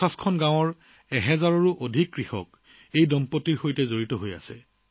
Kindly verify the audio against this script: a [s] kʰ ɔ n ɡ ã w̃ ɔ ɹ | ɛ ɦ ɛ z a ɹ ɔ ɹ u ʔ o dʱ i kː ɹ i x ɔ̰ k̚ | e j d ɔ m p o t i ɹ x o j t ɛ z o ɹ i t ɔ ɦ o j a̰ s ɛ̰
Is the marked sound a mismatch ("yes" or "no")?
no